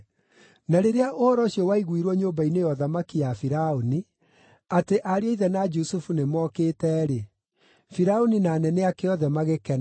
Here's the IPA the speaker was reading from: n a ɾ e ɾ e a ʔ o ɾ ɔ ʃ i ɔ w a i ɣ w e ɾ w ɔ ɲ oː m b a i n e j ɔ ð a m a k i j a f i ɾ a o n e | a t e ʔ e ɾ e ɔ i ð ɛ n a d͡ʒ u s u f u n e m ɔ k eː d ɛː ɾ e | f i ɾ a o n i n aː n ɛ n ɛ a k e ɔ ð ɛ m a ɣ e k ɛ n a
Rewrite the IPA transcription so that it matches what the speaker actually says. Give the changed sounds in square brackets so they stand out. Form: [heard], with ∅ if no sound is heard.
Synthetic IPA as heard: n a ɾ e ɾ e a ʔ o ɾ ɔ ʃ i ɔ w a i ɣ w [i] ɾ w ɔ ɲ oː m b a i n e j ɔ ð a m a k i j a f i ɾ a o n [i] | a t e ʔ [a] ɾ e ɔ i ð ɛ n a d͡ʒ u s u f u n e m ɔ k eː [t] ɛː ɾ e | f i ɾ a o n i n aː n ɛ n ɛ a k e ɔ ð ɛ m a ɣ e k ɛ n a

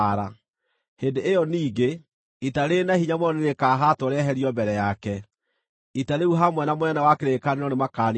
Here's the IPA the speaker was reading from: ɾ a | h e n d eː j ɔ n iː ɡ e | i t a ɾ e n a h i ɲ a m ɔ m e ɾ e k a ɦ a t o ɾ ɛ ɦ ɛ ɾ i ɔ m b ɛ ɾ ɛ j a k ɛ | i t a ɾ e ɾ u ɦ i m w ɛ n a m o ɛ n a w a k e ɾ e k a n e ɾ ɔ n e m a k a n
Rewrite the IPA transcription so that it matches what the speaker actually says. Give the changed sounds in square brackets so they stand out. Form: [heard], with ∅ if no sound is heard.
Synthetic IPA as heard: ɾ a | h e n d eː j ɔ n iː ɡ e | i t a ɾ e n a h i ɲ a m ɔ [n] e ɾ e k a ɦ a t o ɾ ɛ ɦ ɛ ɾ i ɔ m b ɛ ɾ ɛ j a k ɛ | i t a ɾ e [∅] u ɦ [a] m w ɛ n a m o ɛ n a w a k e ɾ e k a n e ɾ ɔ n e m a k a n

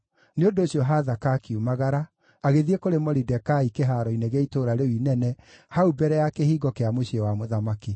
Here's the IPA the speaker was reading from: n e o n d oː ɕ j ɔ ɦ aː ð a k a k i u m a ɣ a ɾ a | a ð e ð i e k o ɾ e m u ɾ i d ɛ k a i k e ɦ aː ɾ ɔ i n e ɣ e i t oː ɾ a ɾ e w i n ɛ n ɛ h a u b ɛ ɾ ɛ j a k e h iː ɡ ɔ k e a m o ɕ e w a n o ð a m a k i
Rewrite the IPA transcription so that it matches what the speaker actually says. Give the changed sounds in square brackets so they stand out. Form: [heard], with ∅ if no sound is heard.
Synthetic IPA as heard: n e o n d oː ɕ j ɔ ɦ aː ð a k a k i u m a ɣ a ɾ a | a [ɣ] e ð i e k o ɾ e m [ɔ] ɾ i d ɛ k a i k e ɦ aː ɾ ɔ i n e ɣ e i t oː ɾ a ɾ e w i n ɛ n ɛ h a u b ɛ ɾ ɛ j a k e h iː ɡ ɔ k e a m o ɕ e w a [m] o ð a m a k i

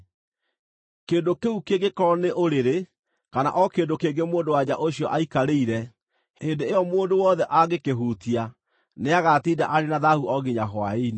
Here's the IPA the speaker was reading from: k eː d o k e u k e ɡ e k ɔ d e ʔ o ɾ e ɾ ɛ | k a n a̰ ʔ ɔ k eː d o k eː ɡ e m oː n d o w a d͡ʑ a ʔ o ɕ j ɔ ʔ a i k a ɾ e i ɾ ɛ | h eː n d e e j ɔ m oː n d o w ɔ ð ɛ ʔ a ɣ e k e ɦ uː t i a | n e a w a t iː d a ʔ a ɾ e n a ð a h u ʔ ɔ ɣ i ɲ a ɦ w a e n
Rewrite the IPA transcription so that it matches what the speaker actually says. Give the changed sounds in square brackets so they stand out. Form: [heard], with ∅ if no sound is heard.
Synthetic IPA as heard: k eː d o k e u k e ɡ e k ɔ [n] e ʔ o ɾ e ɾ [e] | k a n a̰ ʔ ɔ k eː d o k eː ɡ e m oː n d o w a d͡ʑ a ʔ o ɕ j ɔ ʔ a i k a ɾ e i ɾ ɛ | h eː n d e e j ɔ m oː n d o w ɔ ð ɛ ʔ a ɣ e k e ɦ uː t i a | n e a [ɣ] a t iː d a ʔ a ɾ e n a ð a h u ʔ ɔ ɣ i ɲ a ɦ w a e n

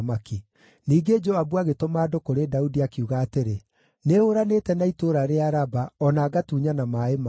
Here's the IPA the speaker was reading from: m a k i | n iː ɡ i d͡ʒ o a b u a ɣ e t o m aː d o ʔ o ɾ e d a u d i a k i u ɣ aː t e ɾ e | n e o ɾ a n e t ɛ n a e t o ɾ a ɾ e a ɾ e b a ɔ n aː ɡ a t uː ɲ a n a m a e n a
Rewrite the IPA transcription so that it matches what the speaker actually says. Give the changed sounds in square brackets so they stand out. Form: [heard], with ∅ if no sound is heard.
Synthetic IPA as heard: m a k i | n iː ɡ [e] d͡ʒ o a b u a ɣ e t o m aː d o [k] o ɾ e d a u d i a k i u ɣ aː t e ɾ e | n e o ɾ a n e t ɛ n a [i] t o ɾ a ɾ e a ɾ [a] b a ɔ n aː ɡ a t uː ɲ a n a m a e [m] a

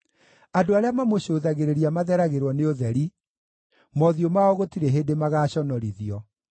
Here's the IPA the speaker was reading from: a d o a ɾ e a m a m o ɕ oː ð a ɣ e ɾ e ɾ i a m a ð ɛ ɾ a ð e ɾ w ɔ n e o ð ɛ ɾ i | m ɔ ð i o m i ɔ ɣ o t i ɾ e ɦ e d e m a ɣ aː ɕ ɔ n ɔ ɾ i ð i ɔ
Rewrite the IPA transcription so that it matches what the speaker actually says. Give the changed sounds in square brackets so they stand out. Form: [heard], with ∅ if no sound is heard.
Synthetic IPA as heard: a d o a ɾ e a m a m o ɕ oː ð a ɣ e ɾ e ɾ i a m a ð ɛ ɾ a [ɣ] e ɾ w ɔ n e o ð ɛ ɾ i | m ɔ ð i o m [a] ɔ ɣ o t i ɾ e ɦ e d e m a ɣ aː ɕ ɔ n ɔ ɾ i ð i ɔ

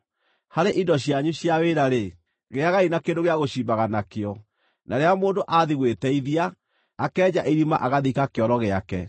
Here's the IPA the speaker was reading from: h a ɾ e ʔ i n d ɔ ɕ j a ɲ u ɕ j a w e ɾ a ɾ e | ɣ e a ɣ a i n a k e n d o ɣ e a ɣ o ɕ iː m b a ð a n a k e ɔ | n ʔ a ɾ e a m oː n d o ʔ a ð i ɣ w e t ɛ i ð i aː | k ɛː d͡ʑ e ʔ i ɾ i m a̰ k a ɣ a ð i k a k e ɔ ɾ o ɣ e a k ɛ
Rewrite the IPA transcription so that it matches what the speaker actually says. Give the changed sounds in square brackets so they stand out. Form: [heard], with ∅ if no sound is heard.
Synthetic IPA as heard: h a ɾ e ʔ i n d ɔ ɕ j a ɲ u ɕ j a w e ɾ a ɾ e | ɣ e a ɣ a i n a k e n d o ɣ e a ɣ o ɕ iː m b a [ɣ] a n a k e ɔ | n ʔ a ɾ e a m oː n d o ʔ a ð i ɣ w e t ɛ i ð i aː | k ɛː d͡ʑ [a] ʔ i ɾ i m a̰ [ʔ] a ɣ a ð i k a k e ɔ ɾ [ɔ] ɣ e a k ɛ

